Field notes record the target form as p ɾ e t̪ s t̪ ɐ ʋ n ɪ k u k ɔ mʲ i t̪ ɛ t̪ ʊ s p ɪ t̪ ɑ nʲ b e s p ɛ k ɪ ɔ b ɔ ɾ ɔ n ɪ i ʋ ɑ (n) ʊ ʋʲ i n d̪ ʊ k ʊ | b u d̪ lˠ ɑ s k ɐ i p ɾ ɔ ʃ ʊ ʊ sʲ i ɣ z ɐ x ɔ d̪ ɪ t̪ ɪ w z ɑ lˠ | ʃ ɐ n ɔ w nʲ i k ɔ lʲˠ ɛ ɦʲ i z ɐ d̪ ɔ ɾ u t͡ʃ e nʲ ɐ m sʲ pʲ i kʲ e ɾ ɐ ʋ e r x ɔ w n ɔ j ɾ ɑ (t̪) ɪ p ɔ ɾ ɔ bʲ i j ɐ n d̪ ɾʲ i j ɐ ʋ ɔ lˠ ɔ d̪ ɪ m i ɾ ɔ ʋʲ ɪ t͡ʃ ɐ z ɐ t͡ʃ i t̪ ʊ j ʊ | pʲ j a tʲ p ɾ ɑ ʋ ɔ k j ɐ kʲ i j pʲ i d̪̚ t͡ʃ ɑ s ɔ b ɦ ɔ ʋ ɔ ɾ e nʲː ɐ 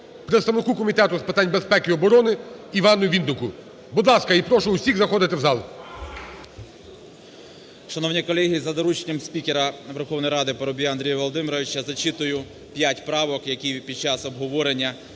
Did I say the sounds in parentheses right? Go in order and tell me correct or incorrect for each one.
correct, incorrect: d̪

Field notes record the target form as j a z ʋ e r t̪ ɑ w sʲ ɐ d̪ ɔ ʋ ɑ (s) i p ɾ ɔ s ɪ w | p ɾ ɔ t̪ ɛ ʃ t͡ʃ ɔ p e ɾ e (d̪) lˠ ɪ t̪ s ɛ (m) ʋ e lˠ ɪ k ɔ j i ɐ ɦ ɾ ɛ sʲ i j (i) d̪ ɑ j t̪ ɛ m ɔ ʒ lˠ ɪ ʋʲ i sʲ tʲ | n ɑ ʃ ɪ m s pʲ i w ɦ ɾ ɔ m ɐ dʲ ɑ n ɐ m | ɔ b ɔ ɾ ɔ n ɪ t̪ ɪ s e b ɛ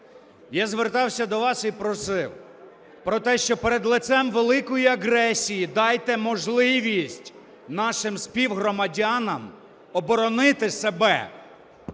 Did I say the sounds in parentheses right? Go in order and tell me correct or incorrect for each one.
correct, correct, correct, correct

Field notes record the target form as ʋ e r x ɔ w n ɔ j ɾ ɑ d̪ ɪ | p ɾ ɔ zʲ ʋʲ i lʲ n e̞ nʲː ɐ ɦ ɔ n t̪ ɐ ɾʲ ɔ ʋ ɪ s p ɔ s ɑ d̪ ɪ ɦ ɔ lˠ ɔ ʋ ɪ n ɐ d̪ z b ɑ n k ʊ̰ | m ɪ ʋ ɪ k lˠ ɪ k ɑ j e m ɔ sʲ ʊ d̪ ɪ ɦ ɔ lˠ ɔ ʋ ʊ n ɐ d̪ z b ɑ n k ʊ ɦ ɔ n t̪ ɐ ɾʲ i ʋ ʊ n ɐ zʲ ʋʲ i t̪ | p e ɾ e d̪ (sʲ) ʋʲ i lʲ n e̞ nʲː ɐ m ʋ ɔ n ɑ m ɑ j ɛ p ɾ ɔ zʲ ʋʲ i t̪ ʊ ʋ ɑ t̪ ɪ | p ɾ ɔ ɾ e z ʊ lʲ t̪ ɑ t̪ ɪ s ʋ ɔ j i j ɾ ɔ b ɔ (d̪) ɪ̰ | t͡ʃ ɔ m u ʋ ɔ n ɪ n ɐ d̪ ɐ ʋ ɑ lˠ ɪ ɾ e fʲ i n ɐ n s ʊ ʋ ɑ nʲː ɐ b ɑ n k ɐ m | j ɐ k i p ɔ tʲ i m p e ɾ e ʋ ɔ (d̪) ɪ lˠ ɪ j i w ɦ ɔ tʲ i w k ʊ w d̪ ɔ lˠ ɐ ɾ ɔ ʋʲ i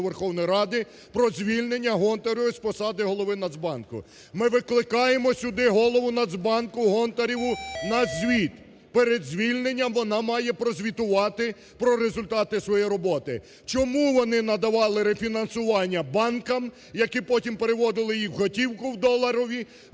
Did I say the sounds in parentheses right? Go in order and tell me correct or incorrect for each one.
incorrect: zʲ, incorrect: t̪, correct

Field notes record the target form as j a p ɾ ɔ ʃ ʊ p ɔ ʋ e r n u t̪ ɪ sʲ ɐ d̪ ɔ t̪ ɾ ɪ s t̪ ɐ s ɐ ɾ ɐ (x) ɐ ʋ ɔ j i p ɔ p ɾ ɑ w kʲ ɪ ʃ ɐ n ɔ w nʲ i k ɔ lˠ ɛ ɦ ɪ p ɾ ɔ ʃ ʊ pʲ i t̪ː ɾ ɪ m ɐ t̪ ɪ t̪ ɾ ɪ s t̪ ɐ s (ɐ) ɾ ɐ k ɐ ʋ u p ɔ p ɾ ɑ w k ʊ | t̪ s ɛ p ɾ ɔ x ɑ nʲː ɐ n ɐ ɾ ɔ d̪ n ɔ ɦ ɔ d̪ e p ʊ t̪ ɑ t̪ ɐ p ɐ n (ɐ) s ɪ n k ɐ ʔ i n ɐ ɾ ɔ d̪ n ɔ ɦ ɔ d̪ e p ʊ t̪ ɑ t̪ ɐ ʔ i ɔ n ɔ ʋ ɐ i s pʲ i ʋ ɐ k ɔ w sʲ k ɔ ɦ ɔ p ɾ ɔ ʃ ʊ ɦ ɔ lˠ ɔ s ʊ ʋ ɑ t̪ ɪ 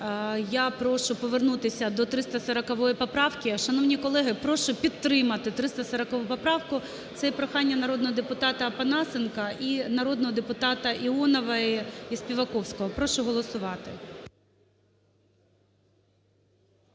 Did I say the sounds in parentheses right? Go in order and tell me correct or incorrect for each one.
incorrect: k, correct, incorrect: ɑ

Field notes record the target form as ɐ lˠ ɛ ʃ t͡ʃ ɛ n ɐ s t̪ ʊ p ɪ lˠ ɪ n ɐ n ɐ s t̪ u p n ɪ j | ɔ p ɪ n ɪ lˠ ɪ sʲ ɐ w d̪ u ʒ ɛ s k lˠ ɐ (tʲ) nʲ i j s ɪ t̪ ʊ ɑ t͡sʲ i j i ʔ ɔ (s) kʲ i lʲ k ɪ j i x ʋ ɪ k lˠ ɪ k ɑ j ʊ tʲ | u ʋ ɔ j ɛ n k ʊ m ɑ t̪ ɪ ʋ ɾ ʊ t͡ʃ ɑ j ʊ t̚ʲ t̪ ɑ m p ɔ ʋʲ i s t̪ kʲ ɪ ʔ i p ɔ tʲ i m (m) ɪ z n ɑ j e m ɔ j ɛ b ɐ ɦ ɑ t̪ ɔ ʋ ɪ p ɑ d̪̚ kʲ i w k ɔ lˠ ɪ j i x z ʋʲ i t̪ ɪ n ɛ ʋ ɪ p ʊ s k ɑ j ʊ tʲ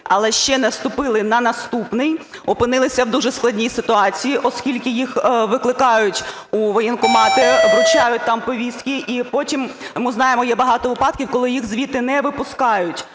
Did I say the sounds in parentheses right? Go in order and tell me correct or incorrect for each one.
incorrect: dʲ, correct, correct

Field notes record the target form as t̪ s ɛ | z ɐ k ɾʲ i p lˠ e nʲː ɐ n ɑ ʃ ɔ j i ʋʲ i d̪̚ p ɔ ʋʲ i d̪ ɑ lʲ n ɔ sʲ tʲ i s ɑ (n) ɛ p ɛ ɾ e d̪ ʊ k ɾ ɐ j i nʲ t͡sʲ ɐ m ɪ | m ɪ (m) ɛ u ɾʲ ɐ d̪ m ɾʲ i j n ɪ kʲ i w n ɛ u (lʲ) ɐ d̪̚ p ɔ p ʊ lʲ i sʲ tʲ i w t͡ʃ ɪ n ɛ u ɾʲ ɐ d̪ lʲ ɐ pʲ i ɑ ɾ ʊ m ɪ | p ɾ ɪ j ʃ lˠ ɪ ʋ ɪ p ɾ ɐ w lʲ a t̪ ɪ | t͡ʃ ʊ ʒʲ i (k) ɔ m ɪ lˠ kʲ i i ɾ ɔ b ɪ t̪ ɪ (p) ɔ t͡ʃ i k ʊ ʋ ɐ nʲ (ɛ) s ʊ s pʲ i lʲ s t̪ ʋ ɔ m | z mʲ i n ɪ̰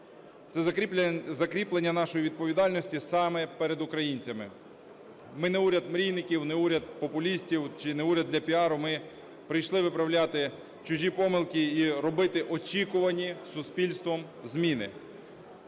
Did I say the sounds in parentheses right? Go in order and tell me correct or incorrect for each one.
incorrect: m, incorrect: n, incorrect: ɾʲ, incorrect: p, incorrect: ʔ, incorrect: i

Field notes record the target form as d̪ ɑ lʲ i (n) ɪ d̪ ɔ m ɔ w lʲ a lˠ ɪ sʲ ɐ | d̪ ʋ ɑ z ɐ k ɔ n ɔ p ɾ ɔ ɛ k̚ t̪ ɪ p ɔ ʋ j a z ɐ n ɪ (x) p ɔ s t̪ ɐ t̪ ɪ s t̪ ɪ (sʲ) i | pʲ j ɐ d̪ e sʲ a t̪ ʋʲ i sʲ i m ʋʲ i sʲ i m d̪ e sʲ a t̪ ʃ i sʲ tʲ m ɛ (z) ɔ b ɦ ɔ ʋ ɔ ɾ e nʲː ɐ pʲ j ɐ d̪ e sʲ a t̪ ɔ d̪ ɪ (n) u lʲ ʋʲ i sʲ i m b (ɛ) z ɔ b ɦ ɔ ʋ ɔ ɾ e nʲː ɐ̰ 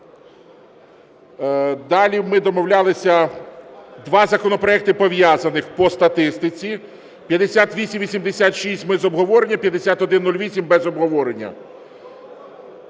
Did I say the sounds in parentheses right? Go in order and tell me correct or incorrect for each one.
incorrect: m, correct, incorrect: t͡sʲ, correct, incorrect: nː, correct

